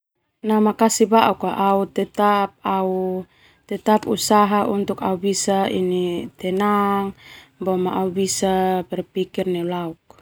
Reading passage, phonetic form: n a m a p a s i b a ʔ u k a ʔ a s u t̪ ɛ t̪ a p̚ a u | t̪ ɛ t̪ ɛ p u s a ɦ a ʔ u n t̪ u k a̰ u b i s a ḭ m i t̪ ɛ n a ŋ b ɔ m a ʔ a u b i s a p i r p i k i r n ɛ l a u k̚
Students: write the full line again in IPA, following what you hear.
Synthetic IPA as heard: n a m a k a s i b a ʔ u k a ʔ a u t̪ ɛ t̪ a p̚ a u | t̪ ɛ t̪ a p u s a ɦ a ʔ u n t̪ u k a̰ u b i s a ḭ n i t̪ ɛ n a ŋ b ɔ m a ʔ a u b i s a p ɛ r p i k i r n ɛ l a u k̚